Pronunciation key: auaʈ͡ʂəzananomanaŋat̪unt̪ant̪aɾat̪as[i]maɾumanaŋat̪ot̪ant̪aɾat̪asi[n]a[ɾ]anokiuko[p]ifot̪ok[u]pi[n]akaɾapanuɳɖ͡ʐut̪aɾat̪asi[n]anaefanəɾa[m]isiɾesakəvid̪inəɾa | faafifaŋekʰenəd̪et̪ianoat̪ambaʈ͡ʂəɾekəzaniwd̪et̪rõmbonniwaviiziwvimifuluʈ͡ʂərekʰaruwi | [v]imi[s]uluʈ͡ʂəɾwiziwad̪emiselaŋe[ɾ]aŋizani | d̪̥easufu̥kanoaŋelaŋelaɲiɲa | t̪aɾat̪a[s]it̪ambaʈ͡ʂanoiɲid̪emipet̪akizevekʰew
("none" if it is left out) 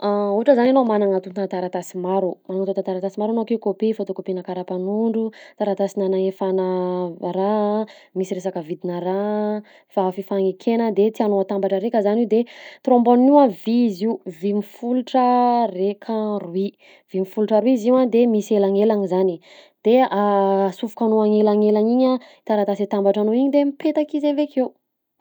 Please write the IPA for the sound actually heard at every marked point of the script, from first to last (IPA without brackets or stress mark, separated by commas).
i, m, ɾ, p, o, n, n, m, v, f, l, s